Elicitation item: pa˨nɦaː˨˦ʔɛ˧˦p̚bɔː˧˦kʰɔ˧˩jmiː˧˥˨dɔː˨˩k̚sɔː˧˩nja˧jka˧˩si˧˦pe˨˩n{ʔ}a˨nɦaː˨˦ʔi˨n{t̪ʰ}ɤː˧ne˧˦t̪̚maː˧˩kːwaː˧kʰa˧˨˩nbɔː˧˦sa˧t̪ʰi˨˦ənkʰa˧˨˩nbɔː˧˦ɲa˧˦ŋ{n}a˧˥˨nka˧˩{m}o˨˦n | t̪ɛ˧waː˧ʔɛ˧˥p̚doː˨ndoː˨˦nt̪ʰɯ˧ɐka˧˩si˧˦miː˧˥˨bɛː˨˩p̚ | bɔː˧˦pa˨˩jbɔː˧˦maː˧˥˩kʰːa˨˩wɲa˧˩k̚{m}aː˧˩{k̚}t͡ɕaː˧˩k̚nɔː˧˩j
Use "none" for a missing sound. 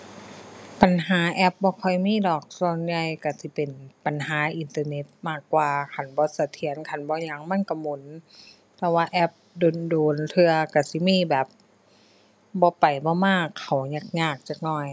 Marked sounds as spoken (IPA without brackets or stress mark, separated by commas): p, t̪, m, m, ɲ, k̚